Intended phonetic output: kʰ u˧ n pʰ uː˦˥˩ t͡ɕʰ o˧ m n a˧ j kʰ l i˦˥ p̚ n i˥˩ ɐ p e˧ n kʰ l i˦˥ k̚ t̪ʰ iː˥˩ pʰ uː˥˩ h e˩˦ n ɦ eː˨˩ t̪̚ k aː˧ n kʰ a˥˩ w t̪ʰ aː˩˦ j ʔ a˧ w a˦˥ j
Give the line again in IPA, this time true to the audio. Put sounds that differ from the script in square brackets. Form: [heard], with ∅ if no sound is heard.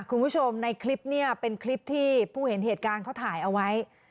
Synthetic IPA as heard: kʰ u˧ n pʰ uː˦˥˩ t͡ɕʰ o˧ m n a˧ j kʰ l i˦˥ p̚ n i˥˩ ɐ p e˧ n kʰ l i˦˥ [p̚] t̪ʰ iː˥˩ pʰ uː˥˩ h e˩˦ n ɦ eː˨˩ t̪̚ k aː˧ n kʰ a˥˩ w t̪ʰ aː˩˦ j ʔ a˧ w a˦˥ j